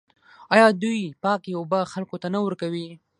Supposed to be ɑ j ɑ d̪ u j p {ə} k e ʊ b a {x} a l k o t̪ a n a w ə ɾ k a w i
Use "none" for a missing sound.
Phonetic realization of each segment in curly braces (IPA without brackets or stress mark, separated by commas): ɑ, x